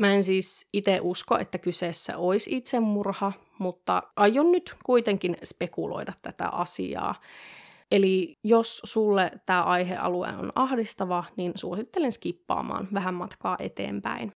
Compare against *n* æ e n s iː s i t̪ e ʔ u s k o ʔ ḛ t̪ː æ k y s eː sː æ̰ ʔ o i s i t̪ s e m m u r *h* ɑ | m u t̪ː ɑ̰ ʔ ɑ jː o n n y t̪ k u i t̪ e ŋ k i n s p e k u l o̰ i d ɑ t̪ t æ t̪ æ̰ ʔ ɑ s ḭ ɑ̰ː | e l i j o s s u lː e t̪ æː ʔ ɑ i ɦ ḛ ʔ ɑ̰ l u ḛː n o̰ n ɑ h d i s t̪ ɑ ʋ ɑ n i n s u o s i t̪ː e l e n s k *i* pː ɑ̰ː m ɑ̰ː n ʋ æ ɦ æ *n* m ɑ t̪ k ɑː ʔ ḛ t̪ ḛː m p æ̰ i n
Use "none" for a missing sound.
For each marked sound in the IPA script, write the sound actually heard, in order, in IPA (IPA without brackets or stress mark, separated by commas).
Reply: m, h, i, m